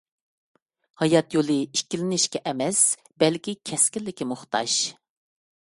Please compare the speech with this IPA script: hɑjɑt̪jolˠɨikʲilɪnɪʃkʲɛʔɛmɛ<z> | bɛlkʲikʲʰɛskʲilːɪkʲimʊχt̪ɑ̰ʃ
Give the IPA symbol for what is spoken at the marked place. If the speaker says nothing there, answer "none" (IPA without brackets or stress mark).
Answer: s